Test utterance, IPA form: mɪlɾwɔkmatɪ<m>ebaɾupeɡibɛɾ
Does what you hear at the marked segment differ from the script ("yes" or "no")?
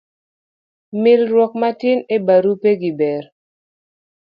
yes